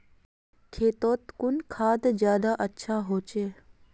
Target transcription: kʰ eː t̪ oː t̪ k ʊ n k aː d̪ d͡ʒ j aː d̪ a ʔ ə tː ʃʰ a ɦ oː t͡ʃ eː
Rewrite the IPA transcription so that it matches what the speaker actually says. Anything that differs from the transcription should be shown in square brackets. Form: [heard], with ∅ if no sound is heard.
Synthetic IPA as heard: kʰ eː t̪ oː t̪ k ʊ n [kʰ] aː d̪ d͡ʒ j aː d̪ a ʔ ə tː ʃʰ a ɦ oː t͡ʃ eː